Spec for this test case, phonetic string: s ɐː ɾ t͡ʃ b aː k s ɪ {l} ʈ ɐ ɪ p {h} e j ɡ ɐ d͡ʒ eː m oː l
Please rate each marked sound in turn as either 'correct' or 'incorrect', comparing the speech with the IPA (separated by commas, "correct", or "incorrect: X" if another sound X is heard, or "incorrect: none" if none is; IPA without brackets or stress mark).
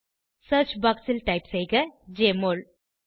correct, incorrect: s